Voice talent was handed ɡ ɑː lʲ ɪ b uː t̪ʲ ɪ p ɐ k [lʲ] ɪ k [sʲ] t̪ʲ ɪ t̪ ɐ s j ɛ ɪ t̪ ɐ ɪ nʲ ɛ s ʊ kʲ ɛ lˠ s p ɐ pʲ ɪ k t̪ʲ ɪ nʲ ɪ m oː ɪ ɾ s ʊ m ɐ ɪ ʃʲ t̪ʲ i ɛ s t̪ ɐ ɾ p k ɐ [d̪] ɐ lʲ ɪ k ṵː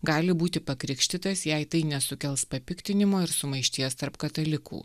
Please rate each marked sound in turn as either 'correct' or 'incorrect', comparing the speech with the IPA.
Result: incorrect: ɾʲ, incorrect: ʃʲ, incorrect: t̪

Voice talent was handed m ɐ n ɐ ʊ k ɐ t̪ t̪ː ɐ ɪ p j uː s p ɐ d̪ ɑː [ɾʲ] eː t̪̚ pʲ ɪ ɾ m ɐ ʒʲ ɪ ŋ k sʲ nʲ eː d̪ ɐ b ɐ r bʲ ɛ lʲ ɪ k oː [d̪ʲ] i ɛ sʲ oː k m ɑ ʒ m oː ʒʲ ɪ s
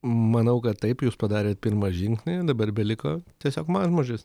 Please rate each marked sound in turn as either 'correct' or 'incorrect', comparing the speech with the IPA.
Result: correct, incorrect: t̪ʲ

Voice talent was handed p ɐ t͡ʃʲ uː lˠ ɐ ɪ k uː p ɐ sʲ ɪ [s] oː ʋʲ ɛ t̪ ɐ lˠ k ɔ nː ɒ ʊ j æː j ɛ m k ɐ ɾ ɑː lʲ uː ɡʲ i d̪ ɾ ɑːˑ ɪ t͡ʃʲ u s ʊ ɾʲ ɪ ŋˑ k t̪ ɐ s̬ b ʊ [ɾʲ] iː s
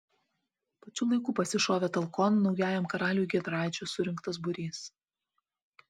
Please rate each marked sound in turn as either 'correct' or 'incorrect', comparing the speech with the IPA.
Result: incorrect: ʃ, correct

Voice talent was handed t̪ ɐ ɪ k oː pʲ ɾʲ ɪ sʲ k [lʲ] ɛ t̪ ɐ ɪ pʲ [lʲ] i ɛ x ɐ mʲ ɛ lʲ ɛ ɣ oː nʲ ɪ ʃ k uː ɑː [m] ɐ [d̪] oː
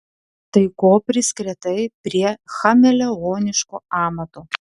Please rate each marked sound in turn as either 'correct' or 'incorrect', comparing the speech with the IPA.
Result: incorrect: ɾʲ, incorrect: ɾʲ, correct, incorrect: t̪

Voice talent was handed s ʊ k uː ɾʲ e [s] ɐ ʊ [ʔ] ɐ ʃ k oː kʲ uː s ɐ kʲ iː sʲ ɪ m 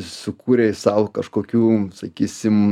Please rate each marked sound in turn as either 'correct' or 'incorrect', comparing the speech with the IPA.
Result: correct, incorrect: k

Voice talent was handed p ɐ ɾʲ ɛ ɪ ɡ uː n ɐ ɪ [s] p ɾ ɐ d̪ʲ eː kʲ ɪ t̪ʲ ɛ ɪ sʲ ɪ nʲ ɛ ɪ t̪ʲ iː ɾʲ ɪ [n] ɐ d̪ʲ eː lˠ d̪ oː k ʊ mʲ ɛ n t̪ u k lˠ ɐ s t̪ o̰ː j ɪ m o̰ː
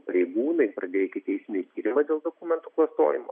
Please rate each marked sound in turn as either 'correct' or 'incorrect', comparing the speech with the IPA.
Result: incorrect: none, incorrect: m

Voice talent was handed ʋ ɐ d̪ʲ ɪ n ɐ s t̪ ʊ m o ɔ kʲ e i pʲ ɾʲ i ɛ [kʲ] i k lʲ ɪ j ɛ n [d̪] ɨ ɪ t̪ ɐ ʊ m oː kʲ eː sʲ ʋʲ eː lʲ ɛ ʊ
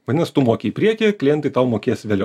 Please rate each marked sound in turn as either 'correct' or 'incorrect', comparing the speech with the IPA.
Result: correct, incorrect: t̪

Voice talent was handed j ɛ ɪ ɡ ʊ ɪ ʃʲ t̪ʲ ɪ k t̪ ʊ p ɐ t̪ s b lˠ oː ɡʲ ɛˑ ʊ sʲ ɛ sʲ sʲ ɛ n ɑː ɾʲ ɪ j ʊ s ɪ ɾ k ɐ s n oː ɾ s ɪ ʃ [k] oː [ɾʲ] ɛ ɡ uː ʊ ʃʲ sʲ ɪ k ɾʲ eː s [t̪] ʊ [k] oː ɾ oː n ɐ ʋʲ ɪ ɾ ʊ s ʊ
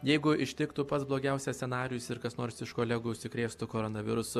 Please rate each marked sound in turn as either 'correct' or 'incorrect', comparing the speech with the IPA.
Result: correct, incorrect: lʲ, correct, correct

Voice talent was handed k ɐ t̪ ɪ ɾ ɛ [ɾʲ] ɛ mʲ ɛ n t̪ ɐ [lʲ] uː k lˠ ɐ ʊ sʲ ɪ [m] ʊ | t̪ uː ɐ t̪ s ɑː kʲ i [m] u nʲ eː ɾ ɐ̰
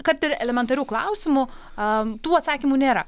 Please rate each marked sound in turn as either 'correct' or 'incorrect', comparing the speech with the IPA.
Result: incorrect: lʲ, incorrect: ɾʲ, correct, correct

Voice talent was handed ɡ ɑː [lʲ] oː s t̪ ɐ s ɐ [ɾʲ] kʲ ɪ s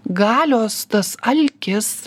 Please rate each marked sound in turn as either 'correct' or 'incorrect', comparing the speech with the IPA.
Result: correct, incorrect: lʲ

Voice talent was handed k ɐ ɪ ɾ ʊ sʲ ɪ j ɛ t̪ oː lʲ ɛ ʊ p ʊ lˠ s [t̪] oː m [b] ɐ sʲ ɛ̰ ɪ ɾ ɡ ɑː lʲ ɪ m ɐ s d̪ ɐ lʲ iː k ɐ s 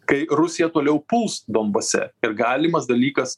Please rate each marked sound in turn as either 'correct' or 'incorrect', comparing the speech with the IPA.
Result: incorrect: d̪, correct

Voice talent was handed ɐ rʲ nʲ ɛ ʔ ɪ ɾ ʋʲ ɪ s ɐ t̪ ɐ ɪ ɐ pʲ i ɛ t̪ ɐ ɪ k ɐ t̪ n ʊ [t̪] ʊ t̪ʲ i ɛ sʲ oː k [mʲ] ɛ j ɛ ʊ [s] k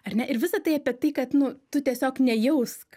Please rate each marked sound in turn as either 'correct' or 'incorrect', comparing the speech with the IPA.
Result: correct, incorrect: nʲ, correct

